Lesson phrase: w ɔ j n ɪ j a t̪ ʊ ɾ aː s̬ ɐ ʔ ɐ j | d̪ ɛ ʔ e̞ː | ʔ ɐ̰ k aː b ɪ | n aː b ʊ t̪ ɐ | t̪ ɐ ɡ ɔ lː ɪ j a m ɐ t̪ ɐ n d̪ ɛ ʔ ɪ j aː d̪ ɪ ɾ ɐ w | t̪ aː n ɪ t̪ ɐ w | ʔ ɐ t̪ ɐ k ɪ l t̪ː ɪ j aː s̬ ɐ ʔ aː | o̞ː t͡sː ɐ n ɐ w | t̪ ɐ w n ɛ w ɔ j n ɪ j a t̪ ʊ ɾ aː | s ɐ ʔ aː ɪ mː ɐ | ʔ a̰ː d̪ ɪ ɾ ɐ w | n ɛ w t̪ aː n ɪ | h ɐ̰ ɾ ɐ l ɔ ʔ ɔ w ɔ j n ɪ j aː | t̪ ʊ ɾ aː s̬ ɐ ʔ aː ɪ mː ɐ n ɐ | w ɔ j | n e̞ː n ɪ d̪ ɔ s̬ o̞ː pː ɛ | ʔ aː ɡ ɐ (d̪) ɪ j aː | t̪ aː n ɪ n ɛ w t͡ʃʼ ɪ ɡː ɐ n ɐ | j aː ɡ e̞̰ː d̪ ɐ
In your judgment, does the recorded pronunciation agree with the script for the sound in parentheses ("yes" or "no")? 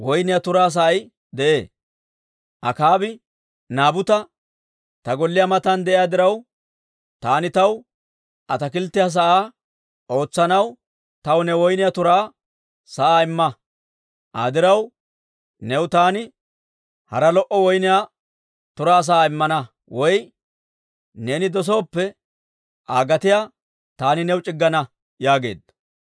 no